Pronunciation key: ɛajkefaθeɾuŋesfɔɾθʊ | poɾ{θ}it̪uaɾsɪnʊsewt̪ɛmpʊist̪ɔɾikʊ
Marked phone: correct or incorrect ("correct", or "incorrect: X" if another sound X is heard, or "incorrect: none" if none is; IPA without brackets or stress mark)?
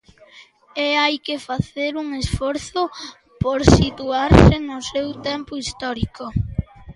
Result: incorrect: s